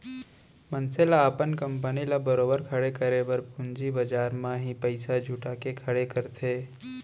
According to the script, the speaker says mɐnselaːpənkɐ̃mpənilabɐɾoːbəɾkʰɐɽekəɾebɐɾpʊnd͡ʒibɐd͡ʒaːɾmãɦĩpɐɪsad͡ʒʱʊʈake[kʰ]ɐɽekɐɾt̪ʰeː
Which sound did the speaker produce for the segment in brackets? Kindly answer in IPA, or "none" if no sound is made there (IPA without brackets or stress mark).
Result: kʰ